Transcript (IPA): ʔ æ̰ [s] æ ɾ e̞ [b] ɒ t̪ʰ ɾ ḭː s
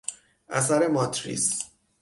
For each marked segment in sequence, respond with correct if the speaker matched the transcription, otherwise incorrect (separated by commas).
correct, incorrect